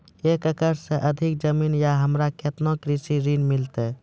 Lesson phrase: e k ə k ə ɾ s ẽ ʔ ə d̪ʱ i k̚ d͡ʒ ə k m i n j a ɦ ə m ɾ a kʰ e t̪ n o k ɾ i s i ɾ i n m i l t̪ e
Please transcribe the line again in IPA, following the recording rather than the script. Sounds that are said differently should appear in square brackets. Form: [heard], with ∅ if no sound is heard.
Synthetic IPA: e k ə k ə ɾ s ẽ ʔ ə d̪ʱ i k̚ d͡ʒ ə [∅] m i n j a ɦ ə m ɾ a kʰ e t̪ n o k ɾ i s i ɾ i n m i l t̪ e